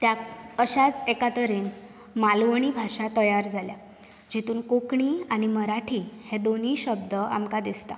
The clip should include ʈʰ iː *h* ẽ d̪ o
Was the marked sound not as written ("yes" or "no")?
no